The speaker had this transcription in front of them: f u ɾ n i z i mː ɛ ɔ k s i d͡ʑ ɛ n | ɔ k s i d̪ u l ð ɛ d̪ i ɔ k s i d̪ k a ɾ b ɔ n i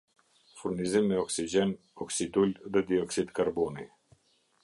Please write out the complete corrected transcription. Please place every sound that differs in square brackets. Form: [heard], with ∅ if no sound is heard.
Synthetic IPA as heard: f u ɾ n i z i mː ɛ ɔ k s i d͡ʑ ɛ n | ɔ k s i d̪ u l ð ɛ d̪ i ɔ k s i d̪ k a ɾ b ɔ n i